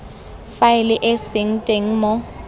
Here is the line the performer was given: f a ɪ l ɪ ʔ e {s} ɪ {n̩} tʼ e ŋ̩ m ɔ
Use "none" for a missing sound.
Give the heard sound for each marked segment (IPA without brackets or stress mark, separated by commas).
s, ŋ̩